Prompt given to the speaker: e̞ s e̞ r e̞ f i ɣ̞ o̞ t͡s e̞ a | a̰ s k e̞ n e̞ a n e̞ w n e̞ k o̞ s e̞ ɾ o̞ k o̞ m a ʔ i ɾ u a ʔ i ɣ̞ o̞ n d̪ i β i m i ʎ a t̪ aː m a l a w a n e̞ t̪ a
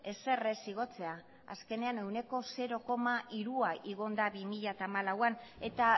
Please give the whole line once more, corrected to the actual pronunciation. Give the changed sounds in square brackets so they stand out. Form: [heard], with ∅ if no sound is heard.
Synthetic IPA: e̞ s e̞ r e̞ [s] i ɣ̞ o̞ t͡s e̞ a | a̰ s k e̞ n e̞ a n e̞ w n e̞ k o̞ s e̞ ɾ o̞ k o̞ m a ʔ i ɾ u a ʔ i ɣ̞ o̞ n d̪ [a] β i m i ʎ a t̪ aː m a l a w a n e̞ t̪ a